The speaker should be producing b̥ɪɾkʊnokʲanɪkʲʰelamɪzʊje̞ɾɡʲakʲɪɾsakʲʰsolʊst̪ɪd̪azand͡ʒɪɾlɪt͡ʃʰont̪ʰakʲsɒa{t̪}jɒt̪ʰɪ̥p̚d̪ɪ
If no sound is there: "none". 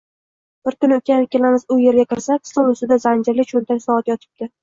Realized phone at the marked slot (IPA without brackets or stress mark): t̪